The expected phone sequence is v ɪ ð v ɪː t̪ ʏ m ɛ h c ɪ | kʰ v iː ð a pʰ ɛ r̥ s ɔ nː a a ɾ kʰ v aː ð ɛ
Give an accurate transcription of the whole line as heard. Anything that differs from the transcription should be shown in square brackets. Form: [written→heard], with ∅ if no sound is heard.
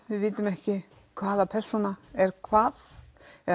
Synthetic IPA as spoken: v ɪ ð v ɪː t̪ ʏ m ɛ h c ɪ | kʰ v [iː→aː] ð a pʰ ɛ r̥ s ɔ [nː→n] a [a→ɛ] ɾ kʰ v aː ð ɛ